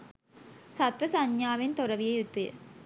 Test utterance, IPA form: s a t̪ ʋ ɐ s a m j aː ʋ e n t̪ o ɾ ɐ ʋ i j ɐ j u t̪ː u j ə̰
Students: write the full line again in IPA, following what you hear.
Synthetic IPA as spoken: s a t̪ ʋ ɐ s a ɲ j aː ʋ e n t̪ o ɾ ɐ ʋ i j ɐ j u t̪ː u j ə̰